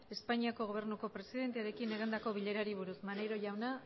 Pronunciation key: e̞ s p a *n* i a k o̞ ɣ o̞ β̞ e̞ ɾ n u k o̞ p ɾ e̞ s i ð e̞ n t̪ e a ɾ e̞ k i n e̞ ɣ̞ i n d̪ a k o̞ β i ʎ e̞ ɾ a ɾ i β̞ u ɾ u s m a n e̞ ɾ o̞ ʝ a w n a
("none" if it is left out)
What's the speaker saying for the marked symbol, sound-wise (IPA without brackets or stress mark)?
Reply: ɲ